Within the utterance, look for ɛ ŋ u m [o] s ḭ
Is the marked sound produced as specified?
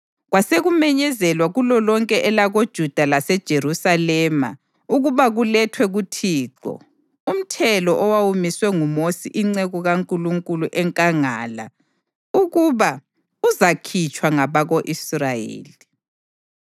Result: yes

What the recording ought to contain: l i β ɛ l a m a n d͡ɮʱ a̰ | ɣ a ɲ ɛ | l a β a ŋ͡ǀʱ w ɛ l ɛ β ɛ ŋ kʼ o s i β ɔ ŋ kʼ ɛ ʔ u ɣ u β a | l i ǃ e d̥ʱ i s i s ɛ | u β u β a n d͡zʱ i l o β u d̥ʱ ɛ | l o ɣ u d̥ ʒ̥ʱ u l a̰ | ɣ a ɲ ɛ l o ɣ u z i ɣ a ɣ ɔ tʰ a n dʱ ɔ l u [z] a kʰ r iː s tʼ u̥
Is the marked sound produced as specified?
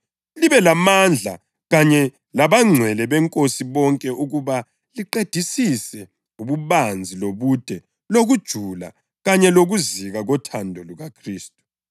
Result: no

